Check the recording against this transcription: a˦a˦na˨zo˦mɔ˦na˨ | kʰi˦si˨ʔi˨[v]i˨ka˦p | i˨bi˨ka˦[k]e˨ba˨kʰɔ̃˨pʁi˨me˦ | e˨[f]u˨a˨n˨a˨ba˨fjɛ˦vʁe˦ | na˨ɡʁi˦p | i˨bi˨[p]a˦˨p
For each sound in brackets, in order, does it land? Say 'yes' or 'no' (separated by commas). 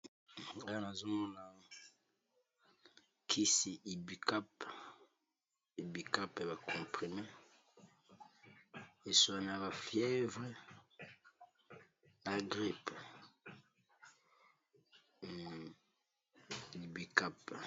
no, no, no, no